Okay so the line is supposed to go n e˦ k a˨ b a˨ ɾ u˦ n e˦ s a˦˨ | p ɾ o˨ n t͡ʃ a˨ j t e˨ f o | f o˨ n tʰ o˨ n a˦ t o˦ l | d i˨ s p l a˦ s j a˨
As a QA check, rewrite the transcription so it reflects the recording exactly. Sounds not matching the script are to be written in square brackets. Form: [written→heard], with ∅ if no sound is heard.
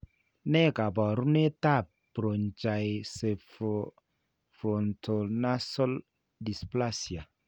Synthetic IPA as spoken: n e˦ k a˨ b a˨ ɾ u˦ n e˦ [s→t] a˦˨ | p ɾ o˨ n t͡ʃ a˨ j [t→s] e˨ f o | f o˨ n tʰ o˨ n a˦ [t→s] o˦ l | d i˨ s p l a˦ s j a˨